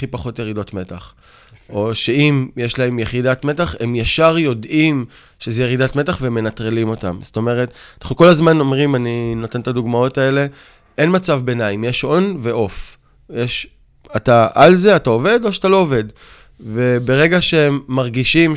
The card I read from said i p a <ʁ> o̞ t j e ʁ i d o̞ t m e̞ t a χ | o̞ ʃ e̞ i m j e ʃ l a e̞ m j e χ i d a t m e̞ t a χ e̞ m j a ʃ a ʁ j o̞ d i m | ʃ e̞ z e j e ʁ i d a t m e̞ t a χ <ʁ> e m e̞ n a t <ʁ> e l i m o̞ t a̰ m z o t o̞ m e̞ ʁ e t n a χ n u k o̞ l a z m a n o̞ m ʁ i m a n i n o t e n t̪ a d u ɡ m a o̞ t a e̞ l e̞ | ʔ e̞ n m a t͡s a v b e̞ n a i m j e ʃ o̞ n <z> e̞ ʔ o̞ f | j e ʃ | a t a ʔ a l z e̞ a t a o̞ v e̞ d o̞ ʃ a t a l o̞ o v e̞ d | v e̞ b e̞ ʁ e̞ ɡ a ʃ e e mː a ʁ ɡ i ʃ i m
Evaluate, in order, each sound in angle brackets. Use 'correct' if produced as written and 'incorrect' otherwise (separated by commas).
incorrect, incorrect, correct, incorrect